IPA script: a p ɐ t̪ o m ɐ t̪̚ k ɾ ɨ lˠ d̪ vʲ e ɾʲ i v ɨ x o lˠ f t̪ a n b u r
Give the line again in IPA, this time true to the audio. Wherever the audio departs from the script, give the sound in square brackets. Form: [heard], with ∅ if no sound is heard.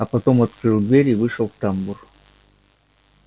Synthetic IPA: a p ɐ t̪ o m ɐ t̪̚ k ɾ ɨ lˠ d̪ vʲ e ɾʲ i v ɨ [ʂ] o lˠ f t̪ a [m] b u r